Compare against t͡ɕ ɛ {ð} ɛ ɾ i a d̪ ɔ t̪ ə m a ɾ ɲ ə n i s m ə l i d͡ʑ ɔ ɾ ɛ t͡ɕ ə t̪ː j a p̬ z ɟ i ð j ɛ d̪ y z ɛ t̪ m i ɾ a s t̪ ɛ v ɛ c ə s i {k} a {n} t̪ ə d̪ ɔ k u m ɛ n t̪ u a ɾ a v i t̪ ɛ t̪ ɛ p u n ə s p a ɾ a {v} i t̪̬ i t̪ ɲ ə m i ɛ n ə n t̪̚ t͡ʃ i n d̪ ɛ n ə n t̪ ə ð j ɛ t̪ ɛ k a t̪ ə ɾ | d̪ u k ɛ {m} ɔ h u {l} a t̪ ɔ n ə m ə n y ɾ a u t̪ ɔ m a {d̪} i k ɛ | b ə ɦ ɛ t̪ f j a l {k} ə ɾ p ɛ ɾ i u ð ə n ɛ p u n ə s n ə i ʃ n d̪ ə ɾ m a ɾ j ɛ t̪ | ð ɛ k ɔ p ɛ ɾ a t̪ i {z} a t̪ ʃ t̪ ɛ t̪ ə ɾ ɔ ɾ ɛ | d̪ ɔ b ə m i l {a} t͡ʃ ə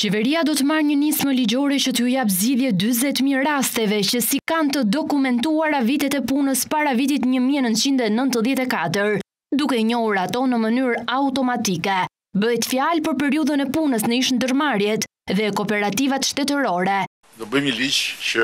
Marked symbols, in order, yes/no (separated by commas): no, yes, yes, yes, no, no, no, no, no, no